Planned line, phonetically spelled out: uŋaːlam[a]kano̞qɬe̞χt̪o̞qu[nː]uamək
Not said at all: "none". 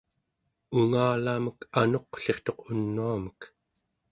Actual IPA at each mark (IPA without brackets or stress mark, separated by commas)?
ə, nː